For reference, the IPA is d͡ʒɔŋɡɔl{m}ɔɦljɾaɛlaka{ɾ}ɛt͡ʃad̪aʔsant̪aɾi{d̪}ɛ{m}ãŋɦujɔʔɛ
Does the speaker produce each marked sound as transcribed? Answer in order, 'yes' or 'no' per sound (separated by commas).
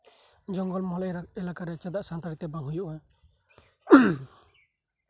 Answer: yes, yes, no, no